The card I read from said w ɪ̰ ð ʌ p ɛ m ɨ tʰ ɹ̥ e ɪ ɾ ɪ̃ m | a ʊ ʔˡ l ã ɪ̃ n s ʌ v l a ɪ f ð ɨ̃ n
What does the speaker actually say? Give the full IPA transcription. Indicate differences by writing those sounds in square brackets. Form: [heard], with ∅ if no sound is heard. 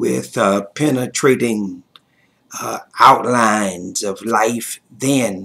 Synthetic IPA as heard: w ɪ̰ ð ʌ [pʰ] ɛ [n] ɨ tʰ ɹ̥ e ɪ ɾ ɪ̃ [ŋ] | a ʊ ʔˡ l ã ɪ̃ n [z] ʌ v l a ɪ f ð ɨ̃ n